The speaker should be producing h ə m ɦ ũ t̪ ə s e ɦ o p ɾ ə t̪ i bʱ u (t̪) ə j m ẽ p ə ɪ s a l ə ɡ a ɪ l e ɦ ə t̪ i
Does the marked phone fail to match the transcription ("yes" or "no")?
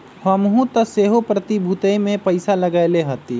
no